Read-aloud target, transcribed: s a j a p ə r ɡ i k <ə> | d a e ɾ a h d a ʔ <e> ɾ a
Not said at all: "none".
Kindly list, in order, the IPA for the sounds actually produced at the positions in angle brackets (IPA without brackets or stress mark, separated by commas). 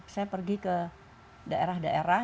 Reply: ə, e